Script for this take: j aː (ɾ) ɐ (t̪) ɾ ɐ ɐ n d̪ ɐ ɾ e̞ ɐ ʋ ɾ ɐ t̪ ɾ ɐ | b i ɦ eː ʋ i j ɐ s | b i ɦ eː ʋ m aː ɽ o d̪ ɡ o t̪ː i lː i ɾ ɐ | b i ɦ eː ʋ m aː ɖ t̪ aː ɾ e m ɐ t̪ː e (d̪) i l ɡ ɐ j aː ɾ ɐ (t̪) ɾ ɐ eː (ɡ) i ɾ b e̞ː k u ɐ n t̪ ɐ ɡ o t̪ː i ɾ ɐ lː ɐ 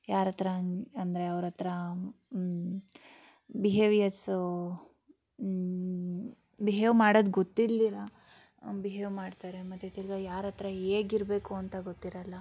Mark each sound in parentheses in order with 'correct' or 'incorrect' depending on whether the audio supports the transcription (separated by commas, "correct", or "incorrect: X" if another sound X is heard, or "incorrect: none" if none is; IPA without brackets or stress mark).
correct, correct, incorrect: t̪, correct, correct